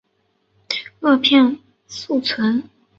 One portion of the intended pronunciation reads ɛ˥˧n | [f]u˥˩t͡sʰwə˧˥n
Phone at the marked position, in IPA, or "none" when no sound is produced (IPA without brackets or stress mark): s